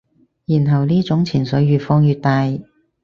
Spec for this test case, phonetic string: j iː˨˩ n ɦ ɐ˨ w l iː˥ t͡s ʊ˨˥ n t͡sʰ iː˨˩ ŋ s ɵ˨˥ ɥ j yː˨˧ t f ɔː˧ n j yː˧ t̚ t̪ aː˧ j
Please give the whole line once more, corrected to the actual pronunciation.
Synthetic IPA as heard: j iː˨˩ n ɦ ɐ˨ w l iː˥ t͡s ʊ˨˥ ŋ t͡sʰ iː˨˩ n s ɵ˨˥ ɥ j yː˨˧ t f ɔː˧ ŋ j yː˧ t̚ t̪ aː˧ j

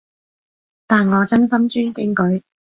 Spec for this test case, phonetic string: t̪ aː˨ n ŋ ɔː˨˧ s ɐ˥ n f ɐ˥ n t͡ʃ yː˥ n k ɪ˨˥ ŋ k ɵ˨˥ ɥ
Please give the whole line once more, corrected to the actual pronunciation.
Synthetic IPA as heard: t̪ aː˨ n ŋ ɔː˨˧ t͡s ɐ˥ n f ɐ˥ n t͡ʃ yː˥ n k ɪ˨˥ ŋ k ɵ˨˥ ɥ

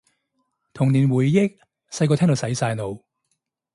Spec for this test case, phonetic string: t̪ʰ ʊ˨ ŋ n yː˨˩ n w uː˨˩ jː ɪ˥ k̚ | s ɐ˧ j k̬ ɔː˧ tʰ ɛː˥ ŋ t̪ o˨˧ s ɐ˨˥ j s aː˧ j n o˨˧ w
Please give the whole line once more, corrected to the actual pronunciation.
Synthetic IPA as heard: t̪ʰ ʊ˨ ŋ n iː˨˩ n w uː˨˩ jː ɪ˥ k̚ | s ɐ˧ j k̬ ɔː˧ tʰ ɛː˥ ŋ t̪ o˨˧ s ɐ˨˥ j s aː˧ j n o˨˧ w

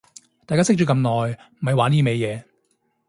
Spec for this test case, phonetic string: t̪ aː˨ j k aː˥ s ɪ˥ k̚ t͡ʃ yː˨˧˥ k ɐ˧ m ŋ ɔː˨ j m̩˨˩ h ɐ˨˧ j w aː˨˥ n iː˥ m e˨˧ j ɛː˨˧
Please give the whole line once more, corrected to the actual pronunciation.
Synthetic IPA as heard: t̪ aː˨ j k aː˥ s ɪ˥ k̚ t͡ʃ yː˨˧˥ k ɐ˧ m n ɔː˨ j m̩˨˩ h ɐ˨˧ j w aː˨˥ n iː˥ m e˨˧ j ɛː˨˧

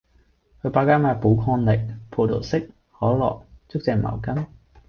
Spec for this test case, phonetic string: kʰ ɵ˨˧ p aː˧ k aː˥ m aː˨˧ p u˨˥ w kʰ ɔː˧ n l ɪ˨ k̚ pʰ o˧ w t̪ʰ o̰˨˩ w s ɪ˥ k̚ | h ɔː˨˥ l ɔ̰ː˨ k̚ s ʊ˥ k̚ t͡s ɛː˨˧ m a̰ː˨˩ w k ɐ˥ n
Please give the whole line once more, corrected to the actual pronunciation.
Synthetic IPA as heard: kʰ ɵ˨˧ p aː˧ k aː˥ m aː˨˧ p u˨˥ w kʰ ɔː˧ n l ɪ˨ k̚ pʰ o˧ w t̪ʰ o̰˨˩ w s ɪ˥ k̚ | h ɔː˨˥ l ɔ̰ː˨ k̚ t͡s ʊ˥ k̚ t͡s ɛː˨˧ m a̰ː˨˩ w k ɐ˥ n

